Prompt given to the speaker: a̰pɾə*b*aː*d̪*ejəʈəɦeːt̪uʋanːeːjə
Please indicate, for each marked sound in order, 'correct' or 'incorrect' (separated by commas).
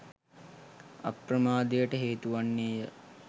incorrect, correct